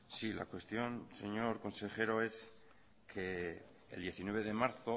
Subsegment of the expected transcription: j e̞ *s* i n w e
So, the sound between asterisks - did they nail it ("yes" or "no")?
no